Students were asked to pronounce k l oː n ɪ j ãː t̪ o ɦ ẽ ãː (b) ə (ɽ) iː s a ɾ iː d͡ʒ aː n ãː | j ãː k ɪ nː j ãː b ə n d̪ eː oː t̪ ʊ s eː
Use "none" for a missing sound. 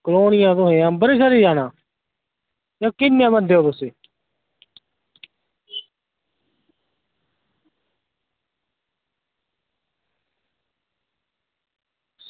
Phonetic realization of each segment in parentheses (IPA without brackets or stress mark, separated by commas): b, ɾ